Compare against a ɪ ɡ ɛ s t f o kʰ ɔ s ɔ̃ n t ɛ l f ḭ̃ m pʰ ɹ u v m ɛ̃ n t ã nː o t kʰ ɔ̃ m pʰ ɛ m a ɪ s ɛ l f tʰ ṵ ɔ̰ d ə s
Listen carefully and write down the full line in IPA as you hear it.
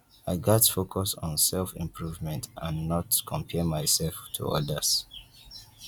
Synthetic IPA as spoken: a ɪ ɡ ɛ t f o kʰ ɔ s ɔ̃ n s ɛ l f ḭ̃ m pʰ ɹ u v m ɛ̃ n t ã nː ɔ t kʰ ɔ̃ m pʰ ɛ m a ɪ s ɛ l f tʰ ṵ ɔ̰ d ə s